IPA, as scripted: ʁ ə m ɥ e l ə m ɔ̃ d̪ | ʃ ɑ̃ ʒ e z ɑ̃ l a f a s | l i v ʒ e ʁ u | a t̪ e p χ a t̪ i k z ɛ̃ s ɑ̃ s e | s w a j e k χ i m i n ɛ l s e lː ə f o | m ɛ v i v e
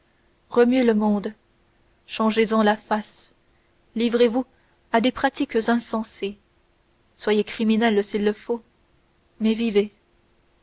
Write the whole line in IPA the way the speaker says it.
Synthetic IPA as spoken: ʁ ə m ɥ e l ə m ɔ̃ d̪ | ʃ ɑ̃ ʒ e z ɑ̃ l a f a s | l i v ʁ e v u | a d̪ e p χ a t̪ i k z ɛ̃ s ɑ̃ s e | s w a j e k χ i m i n ɛ l s i lː ə f o | m ɛ v i v e

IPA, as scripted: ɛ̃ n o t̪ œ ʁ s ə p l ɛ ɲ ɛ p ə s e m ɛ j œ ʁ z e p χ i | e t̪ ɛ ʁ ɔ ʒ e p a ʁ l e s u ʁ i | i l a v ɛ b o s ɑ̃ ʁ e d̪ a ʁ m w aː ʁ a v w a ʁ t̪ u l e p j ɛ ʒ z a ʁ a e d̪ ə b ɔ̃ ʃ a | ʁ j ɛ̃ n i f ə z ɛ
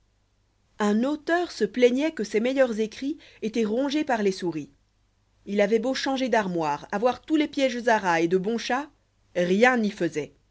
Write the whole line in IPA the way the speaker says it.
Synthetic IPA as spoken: ɛ̃ n o t̪ œ ʁ s ə p l ɛ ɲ ɛ k ə s e m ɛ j œ ʁ z e k χ i | e t̪ ɛ ʁ ɔ̃ ʒ e p a ʁ l e s u ʁ i | i l a v ɛ b o ʃ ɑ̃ ʒ e d̪ a ʁ m w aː ʁ a v w a ʁ t̪ u l e p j ɛ ʒ z a ʁ a e d̪ ə b ɔ̃ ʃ a | ʁ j ɛ̃ n i f ə z ɛ

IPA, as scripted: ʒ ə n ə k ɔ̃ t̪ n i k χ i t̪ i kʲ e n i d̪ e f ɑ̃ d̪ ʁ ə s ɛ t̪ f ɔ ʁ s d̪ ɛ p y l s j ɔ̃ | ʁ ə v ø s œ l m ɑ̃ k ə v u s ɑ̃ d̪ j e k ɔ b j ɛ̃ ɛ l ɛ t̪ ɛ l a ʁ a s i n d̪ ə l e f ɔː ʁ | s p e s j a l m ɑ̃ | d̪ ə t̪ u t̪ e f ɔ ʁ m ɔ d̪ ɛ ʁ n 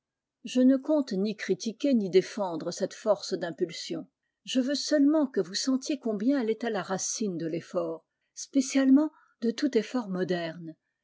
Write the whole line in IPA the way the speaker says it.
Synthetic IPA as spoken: ʒ ə n ə k ɔ̃ t̪ n i k χ i t̪ i kʲ e n i d̪ e f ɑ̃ d̪ ʁ ə s ɛ t̪ f ɔ ʁ s d̪ ɛ̃ p y l s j ɔ̃ | ʒ ə v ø s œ l m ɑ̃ k ə v u s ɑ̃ t̪ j e k ɔ̃ b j ɛ̃ ɛ l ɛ t̪ ɛ l a ʁ a s i n d̪ ə l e f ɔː ʁ | s p e s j a l m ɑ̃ | d̪ ə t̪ u t̪ e f ɔ ʁ m ɔ d̪ ɛ ʁ n

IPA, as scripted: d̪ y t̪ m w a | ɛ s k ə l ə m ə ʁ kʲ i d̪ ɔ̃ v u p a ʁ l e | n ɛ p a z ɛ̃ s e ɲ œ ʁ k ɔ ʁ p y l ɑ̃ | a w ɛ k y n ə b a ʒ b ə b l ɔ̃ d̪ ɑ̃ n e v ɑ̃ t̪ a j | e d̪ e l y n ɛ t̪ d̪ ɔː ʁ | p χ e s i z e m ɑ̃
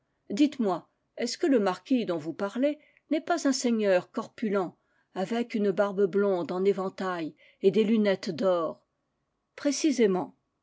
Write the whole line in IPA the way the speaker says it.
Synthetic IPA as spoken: d̪ i t̪ m w a | ɛ s k ə l ə m a ʁ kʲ i d̪ ɔ̃ v u p a ʁ l e | n ɛ p a z ɛ̃ s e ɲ œ ʁ k ɔ ʁ p y l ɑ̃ | a v ɛ k y n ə b a ʁ b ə b l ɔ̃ d̪ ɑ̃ n e v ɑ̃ t̪ a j | e d̪ e l y n ɛ t̪ d̪ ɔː ʁ | p χ e s i z e m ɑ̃

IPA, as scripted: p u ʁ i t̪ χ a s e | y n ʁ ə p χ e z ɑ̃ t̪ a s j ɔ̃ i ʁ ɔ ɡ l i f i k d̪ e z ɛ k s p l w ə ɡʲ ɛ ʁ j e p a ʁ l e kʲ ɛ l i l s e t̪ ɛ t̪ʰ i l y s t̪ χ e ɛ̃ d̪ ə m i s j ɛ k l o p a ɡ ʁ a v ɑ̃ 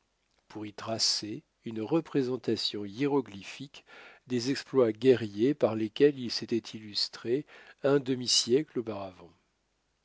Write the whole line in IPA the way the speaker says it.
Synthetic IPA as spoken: p u ʁ i t̪ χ a s e | y n ʁ ə p χ e z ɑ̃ t̪ a s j ɔ̃ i ʁ ɔ ɡ l i f i k d̪ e z ɛ k s p l w a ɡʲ ɛ ʁ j e p a ʁ l e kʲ ɛ l i l s e t̪ ɛ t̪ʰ i l y s t̪ χ e ɛ̃ d̪ ə m i s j ɛ k l o p a ʁ a v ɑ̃

